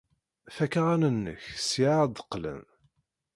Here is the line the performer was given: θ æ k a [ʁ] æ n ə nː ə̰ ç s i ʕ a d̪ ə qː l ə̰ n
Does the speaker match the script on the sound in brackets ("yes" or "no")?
yes